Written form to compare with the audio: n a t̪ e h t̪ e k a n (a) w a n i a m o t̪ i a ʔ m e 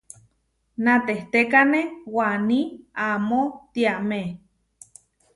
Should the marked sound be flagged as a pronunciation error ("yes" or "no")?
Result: yes